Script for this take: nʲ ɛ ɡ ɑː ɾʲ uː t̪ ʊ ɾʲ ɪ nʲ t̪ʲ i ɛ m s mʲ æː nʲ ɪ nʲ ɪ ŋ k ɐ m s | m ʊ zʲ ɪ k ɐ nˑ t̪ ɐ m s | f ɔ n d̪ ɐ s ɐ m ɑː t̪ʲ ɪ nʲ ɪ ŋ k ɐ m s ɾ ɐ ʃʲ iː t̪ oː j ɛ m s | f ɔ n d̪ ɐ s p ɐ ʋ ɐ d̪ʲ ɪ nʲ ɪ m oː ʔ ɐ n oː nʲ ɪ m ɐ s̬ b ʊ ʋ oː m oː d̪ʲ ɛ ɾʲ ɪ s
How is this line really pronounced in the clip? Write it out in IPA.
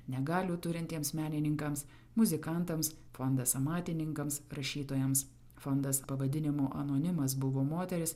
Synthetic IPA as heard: nʲ ɛ ɡ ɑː lʲ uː t̪ ʊ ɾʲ ɪ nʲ t̪ʲ i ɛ m s mʲ æː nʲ ɪ nʲ ɪ ŋ k ɐ m s | m ʊ zʲ ɪ k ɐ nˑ t̪ ɐ m s | f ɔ n d̪ ɐ s ɐ m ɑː t̪ʲ ɪ nʲ ɪ ŋ k ɐ m s ɾ ɐ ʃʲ iː t̪ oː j ɛ m s | f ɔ n d̪ ɐ s p ɐ ʋ ɐ d̪ʲ ɪ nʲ ɪ m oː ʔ ɐ n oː nʲ ɪ m ɐ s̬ b ʊ ʋ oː m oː t̪ʲ ɛ ɾʲ ɪ s